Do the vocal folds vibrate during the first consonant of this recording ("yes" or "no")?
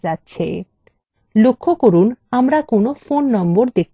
no